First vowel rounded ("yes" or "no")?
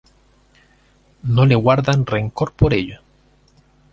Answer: yes